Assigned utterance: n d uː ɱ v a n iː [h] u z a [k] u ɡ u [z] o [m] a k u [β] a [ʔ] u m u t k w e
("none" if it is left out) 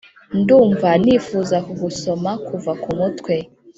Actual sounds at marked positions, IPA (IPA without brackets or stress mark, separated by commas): f, k, s, m, v, k